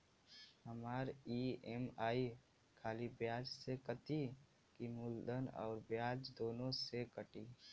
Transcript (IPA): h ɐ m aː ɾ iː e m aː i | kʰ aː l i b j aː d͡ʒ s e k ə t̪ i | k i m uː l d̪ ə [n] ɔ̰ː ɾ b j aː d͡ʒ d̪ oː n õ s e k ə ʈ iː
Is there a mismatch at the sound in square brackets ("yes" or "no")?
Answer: no